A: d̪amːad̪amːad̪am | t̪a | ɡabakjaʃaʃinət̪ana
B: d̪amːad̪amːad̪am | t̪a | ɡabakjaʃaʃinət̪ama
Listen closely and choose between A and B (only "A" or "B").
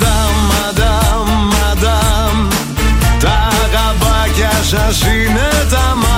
B